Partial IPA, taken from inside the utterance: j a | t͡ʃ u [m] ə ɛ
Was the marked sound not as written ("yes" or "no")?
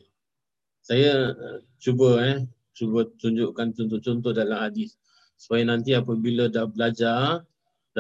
yes